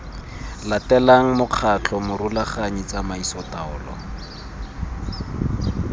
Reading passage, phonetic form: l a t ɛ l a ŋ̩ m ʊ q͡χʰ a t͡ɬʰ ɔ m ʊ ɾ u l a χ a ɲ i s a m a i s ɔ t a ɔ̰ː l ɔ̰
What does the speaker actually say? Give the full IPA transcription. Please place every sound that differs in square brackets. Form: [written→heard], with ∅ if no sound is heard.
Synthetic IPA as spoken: l a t ɛ l a ŋ̩ m ʊ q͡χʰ a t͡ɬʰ ɔ m ʊ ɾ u l a χ a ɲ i [s→t͡s] a m a i s ɔ t a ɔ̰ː l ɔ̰